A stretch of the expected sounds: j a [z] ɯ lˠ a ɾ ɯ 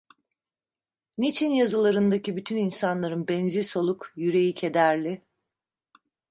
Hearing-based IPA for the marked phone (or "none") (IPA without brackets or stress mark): z